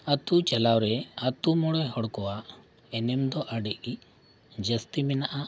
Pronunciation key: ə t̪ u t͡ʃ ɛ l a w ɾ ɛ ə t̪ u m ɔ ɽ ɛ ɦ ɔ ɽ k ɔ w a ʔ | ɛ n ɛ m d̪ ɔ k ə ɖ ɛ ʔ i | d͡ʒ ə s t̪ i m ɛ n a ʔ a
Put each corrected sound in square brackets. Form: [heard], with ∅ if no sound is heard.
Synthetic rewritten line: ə t̪ u t͡ʃ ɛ l a w ɾ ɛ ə t̪ u m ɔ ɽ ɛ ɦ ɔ ɽ k ɔ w a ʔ | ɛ n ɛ m d̪ ɔ [ʔ] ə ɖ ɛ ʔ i | d͡ʒ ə s t̪ i m ɛ n a ʔ a